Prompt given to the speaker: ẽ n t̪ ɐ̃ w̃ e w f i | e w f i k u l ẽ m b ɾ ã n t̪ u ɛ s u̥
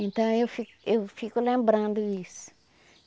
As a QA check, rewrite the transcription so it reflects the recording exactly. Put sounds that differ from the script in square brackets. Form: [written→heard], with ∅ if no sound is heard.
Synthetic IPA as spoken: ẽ n t̪ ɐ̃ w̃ e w f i | e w f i k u l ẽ m b ɾ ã n [t̪→d̪] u [ɛ→i] s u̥